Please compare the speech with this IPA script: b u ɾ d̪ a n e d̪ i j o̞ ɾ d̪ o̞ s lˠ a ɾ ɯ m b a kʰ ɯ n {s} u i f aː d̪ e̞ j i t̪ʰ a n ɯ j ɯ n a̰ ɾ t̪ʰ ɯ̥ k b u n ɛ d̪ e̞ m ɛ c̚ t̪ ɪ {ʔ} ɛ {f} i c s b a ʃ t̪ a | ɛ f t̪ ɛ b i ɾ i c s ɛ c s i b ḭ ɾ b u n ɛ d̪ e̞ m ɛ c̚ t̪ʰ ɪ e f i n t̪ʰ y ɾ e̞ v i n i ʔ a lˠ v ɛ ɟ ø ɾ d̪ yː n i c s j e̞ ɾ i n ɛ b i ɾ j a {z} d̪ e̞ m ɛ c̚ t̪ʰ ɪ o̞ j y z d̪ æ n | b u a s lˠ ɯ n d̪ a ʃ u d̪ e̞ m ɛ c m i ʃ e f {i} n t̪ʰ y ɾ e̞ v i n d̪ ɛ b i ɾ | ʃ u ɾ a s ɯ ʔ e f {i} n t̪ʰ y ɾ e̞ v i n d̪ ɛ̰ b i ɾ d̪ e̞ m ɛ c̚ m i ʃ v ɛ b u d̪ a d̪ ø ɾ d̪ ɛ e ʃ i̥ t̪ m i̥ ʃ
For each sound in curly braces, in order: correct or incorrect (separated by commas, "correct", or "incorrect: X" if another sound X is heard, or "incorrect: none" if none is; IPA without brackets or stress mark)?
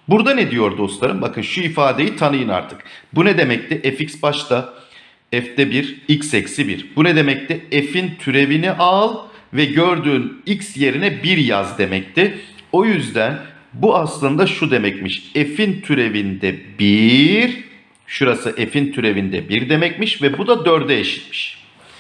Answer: incorrect: ʃ, correct, correct, correct, correct, correct